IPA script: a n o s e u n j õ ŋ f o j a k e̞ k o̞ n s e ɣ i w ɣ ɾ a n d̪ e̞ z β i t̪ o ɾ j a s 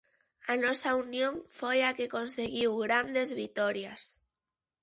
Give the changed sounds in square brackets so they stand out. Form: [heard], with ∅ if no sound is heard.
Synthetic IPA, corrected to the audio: a n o s [a] u n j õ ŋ f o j a k e̞ k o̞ n s e ɣ i w ɣ ɾ a n d̪ e̞ z β i t̪ o ɾ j a s